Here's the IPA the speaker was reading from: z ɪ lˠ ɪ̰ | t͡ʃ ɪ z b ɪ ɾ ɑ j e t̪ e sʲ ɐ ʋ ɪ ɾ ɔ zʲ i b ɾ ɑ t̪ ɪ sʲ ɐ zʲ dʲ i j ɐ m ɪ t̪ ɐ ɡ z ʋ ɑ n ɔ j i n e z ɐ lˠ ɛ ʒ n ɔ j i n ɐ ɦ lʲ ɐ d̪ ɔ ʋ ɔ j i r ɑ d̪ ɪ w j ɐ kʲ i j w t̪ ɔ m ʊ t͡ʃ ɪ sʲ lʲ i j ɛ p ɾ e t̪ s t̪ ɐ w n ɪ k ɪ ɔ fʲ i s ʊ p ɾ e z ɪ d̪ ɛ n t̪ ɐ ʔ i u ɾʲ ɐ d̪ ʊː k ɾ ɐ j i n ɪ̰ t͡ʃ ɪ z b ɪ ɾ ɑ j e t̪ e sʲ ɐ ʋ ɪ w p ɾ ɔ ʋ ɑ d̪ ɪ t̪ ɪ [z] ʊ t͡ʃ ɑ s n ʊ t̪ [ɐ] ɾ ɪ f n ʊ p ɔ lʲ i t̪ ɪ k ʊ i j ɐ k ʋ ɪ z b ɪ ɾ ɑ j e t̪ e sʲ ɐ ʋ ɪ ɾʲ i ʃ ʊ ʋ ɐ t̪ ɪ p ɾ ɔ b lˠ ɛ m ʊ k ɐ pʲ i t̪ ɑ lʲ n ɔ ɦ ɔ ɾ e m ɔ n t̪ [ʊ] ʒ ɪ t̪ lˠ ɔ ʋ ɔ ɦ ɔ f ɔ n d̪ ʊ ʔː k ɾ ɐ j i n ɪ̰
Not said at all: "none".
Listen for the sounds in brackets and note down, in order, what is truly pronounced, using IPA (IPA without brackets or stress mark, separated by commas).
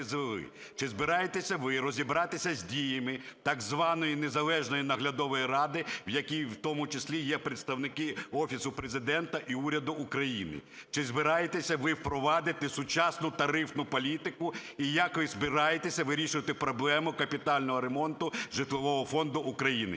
s, ɐ, ʊ